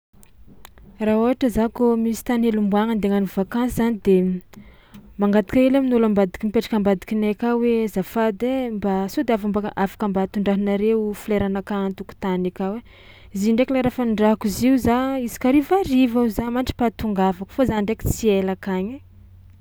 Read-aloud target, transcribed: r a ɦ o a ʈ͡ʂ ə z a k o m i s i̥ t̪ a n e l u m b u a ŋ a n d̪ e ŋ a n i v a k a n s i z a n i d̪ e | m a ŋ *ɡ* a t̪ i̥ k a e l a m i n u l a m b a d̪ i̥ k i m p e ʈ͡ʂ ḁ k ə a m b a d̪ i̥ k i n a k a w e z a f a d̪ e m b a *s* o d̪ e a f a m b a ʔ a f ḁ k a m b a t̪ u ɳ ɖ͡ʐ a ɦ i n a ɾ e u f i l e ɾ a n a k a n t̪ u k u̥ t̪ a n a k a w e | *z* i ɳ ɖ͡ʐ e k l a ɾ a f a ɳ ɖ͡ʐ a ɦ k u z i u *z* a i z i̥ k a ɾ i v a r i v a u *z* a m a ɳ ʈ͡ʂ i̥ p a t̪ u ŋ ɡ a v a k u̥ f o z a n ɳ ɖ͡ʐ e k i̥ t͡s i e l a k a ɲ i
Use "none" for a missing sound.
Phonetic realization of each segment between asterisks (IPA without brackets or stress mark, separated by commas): ɡ, s, z, z, z